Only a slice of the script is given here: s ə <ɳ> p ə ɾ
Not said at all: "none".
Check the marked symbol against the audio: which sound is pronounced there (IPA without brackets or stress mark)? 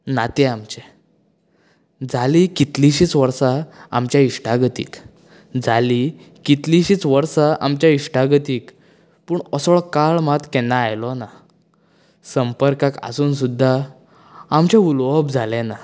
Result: m